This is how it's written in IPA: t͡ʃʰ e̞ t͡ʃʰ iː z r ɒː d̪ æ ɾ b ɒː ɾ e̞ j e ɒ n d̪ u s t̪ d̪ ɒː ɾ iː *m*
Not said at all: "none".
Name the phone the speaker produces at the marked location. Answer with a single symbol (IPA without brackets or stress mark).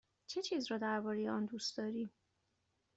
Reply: m